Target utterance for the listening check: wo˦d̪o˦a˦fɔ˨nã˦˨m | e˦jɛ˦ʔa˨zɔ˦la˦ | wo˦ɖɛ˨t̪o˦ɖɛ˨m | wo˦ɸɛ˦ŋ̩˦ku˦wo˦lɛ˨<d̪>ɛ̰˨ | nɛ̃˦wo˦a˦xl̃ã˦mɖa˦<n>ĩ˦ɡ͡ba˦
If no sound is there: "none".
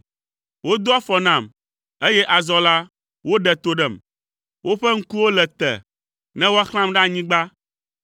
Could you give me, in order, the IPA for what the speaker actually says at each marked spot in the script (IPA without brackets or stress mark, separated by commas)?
t̪, ɲ